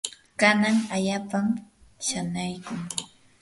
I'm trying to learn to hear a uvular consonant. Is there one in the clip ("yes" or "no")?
no